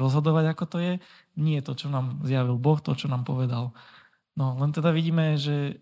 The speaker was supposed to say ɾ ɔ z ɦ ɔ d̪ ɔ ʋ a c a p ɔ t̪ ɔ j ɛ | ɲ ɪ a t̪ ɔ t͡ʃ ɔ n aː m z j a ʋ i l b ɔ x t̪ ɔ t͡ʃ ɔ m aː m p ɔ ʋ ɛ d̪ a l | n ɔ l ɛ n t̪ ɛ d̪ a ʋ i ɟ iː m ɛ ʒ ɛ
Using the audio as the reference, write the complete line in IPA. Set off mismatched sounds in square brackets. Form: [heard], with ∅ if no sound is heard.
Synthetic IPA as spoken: ɾ ɔ z ɦ ɔ d̪ ɔ ʋ a [ɟ] a [k] ɔ t̪ ɔ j ɛ | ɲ ɪ [ɛ] t̪ ɔ t͡ʃ ɔ n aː m z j a ʋ i l b ɔ x t̪ ɔ t͡ʃ ɔ [n] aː m p ɔ ʋ ɛ d̪ a l | n ɔ l ɛ n t̪ ɛ d̪ a ʋ i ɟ iː m ɛ ʒ ɛ